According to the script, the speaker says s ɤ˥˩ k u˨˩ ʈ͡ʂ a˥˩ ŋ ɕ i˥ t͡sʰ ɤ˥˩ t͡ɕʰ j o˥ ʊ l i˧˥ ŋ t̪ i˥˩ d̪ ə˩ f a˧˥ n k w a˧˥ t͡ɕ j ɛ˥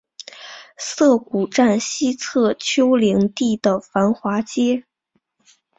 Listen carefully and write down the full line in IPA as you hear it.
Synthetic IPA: s ɤ˥˩ k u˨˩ ʈ͡ʂ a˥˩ n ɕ i˥ t͡sʰ ɤ˥˩ t͡ɕʰ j o˥ ʊ l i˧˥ ŋ t̪ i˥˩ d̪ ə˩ f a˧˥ n x w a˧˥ t͡ɕ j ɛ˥